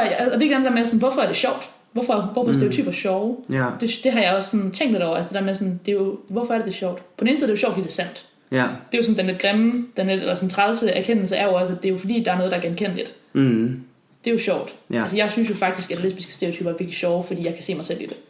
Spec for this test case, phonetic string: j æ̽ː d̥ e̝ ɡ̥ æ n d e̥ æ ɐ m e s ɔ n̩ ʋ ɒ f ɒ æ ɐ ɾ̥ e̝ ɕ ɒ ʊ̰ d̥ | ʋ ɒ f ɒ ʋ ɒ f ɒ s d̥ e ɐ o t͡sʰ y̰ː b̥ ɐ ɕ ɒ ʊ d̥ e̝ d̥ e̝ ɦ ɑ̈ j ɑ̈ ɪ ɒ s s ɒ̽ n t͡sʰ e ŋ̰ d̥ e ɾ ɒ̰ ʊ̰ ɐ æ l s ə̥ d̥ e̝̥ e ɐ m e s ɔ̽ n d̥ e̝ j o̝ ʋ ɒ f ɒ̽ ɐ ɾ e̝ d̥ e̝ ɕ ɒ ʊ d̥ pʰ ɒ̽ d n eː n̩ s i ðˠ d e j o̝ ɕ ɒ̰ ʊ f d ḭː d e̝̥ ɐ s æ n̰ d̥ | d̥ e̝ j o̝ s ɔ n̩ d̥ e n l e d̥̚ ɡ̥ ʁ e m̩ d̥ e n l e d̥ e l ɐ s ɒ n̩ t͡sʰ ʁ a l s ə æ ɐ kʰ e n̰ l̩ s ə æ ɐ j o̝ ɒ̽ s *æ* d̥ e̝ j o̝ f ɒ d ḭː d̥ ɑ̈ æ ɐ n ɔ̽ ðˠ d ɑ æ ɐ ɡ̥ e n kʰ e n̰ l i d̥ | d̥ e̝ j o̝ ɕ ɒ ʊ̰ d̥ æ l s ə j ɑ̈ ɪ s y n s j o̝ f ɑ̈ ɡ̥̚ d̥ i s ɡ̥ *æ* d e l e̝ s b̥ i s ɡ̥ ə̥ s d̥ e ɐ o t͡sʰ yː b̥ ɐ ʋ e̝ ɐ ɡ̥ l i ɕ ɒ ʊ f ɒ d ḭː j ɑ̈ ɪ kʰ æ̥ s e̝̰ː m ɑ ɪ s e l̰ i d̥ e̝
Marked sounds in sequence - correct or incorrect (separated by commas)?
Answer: correct, correct